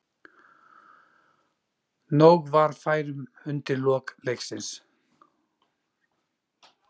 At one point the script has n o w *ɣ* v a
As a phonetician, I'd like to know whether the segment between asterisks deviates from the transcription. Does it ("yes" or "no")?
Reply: no